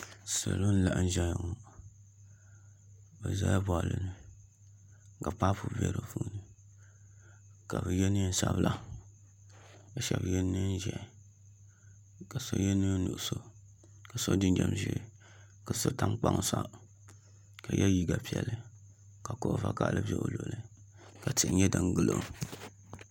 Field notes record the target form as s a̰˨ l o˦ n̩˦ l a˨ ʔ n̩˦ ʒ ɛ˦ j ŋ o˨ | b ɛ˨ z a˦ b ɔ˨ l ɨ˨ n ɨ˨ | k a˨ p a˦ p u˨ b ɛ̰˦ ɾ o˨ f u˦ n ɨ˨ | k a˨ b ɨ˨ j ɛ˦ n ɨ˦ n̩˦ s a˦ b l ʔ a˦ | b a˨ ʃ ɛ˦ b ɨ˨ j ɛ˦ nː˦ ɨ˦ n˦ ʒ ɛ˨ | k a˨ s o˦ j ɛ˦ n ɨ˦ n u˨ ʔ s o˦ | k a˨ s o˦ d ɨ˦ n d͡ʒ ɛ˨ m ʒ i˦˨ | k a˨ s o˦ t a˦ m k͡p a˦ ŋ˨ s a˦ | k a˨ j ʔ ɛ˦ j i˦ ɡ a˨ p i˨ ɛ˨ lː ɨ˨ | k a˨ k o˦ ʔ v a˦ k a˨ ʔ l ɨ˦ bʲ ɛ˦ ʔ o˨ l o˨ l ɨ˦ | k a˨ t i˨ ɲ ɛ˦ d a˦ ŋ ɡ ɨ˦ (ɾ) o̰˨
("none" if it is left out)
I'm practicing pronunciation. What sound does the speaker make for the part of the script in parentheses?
l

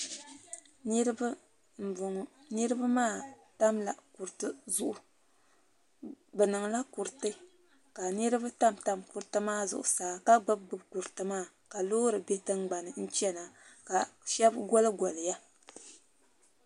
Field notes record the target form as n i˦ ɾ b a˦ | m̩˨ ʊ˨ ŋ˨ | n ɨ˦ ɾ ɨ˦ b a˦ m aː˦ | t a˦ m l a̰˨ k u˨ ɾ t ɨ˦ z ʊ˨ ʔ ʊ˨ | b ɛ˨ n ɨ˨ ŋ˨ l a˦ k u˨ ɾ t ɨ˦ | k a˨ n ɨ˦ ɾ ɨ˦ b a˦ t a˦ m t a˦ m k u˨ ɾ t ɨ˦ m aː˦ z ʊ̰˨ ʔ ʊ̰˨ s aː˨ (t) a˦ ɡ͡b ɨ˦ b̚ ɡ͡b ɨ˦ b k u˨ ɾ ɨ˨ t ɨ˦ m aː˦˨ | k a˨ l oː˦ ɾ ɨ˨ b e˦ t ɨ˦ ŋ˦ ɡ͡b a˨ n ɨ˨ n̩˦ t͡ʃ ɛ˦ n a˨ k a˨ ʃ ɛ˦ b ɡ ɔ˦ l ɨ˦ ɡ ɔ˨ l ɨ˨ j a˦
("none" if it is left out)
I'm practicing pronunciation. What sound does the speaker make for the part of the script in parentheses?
k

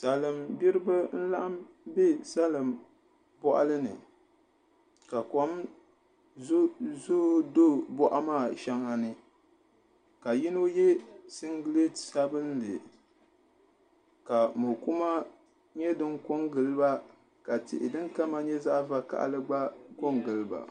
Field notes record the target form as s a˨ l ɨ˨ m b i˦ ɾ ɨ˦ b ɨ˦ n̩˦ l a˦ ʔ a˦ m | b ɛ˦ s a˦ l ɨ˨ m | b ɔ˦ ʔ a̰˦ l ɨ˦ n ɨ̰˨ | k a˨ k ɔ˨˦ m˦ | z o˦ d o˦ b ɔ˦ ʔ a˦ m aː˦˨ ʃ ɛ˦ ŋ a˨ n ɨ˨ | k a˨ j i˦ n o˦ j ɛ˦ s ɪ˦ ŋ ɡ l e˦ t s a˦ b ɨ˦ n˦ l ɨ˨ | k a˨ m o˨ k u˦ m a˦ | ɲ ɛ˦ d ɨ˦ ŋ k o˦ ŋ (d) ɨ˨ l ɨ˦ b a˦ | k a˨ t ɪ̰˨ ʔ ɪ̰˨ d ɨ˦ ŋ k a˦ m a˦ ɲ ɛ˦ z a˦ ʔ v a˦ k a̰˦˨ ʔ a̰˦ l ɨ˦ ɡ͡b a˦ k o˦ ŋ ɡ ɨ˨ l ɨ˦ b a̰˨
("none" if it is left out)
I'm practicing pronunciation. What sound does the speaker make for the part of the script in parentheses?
ɡ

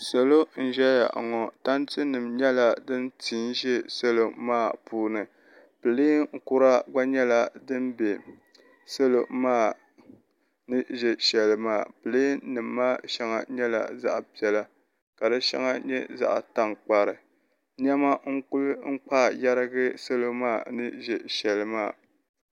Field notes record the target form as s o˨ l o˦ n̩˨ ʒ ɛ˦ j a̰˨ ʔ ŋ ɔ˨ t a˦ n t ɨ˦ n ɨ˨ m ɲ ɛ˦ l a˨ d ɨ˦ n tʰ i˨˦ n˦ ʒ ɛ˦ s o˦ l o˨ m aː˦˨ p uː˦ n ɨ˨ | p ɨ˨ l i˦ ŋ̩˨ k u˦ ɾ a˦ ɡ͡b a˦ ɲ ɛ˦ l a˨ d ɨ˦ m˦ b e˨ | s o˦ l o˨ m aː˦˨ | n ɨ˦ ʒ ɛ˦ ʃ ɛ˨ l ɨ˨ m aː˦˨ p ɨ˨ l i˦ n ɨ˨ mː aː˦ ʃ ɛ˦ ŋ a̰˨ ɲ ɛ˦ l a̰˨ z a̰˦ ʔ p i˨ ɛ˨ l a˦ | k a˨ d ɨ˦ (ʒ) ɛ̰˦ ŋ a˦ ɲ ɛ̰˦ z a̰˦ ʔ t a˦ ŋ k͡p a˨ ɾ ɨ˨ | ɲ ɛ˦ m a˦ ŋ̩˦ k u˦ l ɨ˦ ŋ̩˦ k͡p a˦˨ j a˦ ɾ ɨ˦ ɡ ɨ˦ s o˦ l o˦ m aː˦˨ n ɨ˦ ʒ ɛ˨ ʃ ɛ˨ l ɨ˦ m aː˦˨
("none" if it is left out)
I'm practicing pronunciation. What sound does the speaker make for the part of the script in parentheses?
ʃ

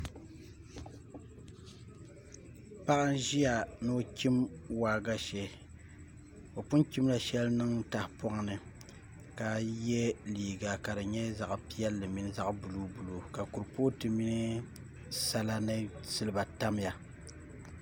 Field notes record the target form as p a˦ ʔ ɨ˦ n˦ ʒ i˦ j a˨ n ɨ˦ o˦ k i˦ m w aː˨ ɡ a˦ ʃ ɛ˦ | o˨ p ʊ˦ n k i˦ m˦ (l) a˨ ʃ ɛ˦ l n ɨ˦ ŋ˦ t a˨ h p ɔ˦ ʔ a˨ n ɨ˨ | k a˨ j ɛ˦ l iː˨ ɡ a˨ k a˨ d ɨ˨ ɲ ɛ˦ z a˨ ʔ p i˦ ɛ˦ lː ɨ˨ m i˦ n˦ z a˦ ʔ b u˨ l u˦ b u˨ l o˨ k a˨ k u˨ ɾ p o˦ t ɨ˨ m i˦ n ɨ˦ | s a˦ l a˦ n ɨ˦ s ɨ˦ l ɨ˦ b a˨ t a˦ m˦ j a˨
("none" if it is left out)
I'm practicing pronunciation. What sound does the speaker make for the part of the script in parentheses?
l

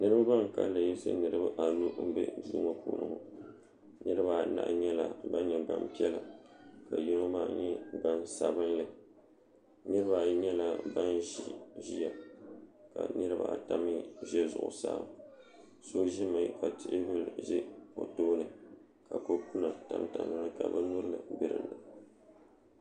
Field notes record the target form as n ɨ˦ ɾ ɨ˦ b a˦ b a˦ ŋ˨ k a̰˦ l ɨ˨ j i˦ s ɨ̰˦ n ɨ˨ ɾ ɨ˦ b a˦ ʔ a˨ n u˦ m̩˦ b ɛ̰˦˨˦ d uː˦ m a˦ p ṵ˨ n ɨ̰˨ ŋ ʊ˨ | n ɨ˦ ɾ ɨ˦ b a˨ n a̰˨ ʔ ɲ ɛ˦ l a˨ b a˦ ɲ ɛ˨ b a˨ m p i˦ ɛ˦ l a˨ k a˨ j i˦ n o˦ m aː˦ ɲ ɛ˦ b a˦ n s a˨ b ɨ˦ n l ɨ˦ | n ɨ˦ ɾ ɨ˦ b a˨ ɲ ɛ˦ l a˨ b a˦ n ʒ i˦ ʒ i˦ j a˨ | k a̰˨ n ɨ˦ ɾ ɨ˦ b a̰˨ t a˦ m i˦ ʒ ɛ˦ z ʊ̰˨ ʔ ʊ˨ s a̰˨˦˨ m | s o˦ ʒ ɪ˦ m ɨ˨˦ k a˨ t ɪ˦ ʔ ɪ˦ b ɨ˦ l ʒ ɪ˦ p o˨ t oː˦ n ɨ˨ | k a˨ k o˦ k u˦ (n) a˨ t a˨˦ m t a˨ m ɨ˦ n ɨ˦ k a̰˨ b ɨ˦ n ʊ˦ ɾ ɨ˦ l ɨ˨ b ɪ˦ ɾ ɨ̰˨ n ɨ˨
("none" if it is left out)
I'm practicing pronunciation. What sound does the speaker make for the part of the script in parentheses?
n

